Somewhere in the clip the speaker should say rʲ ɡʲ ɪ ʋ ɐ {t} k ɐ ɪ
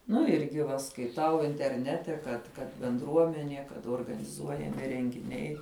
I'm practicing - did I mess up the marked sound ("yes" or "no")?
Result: yes